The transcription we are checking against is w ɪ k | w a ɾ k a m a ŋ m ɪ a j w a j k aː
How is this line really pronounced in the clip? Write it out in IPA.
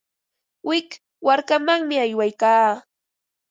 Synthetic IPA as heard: w ɪ k | w a ɾ k a m a ŋ m ɪ a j w a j k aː